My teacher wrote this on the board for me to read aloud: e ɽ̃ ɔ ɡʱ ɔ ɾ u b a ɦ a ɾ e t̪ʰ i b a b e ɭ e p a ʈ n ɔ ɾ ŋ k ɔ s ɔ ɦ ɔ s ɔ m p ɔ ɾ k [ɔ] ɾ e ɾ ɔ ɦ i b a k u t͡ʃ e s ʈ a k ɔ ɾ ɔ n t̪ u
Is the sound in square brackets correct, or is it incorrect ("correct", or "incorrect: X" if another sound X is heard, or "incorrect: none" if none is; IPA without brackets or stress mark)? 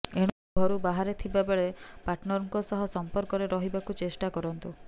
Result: correct